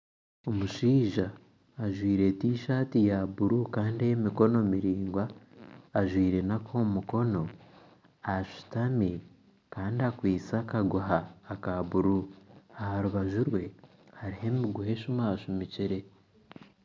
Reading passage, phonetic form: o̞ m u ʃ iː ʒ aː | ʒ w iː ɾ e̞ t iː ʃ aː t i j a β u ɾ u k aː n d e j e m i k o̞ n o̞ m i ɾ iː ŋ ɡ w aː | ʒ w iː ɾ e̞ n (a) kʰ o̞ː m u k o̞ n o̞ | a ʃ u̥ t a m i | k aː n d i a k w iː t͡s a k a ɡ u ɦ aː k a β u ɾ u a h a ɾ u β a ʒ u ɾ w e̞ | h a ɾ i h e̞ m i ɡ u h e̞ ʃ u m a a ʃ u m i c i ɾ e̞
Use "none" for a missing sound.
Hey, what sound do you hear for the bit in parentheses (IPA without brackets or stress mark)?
a